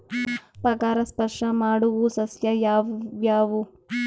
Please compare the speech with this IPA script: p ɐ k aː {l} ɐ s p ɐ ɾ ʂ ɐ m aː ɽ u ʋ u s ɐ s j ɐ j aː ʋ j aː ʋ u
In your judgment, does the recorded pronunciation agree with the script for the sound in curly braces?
no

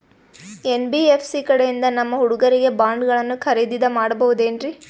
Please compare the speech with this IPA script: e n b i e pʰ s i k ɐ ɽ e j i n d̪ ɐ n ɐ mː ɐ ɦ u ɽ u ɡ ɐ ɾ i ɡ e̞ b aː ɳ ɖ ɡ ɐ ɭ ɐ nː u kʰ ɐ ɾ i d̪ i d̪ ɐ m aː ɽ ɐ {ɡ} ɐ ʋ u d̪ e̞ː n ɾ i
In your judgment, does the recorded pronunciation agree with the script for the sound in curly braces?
no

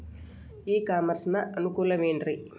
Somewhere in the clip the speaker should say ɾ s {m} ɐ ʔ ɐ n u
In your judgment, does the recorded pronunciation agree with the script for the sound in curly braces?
no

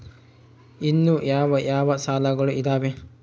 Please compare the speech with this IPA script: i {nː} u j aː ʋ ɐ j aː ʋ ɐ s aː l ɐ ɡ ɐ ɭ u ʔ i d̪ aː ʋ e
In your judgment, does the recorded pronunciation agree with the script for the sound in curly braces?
yes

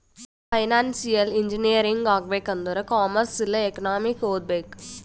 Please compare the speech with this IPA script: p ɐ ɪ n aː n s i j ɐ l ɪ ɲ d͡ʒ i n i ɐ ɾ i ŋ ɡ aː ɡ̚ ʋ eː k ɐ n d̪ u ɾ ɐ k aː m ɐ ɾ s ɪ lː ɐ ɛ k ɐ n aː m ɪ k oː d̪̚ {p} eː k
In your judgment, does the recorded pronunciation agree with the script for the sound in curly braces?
no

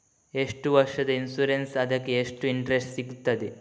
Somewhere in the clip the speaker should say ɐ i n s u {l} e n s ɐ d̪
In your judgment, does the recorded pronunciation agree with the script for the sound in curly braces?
no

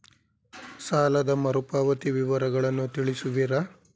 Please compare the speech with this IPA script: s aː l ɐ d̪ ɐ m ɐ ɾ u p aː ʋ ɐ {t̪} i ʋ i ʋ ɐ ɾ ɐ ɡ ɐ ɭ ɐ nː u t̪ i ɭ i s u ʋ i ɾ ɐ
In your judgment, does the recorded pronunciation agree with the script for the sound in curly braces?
yes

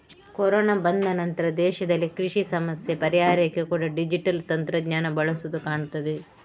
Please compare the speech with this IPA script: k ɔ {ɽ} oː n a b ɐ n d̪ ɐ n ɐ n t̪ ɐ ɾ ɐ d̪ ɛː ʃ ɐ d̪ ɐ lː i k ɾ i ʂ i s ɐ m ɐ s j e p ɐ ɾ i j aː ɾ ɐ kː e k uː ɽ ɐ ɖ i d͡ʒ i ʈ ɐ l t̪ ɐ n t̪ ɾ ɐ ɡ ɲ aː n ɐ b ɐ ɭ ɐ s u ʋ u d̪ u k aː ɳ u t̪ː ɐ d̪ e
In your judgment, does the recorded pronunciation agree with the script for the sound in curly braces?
no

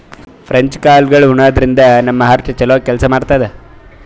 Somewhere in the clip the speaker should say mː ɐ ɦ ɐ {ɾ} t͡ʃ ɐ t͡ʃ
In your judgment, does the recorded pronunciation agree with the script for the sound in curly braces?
yes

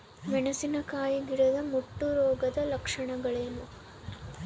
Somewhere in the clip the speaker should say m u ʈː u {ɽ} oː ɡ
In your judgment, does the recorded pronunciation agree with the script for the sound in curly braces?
no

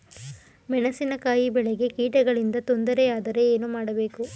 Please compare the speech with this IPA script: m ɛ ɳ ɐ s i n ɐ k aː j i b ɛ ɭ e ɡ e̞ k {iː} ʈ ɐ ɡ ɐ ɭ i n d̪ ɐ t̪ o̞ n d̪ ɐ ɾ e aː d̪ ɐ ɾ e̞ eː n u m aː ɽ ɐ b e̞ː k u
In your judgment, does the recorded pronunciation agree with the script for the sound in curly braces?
yes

